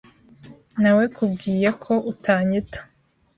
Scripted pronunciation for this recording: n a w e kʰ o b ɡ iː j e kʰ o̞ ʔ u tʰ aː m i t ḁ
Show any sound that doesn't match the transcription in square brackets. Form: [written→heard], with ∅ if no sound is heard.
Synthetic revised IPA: n a w e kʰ [o→u] b ɡ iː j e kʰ o̞ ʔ u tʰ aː [m→ɲ] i t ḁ